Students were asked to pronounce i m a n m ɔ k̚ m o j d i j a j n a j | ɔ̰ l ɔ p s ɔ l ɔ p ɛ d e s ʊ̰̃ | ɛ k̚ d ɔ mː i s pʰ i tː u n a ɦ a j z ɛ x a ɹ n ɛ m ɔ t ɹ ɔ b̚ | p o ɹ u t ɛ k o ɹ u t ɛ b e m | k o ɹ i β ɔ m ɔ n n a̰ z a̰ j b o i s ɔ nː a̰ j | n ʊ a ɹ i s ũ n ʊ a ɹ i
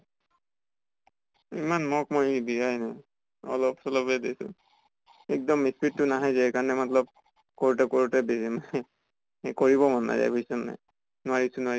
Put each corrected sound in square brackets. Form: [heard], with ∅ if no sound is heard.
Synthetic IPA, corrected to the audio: i m a n m ɔ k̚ m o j d i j a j n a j | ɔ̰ l ɔ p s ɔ l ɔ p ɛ d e s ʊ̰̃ | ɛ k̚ d ɔ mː i s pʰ i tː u n a ɦ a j z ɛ [k] a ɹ n ɛ m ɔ t [l] ɔ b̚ | [k] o ɹ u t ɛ k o ɹ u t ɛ b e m | k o ɹ i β ɔ m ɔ n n a̰ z a̰ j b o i s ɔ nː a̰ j | n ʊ a ɹ i s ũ n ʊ a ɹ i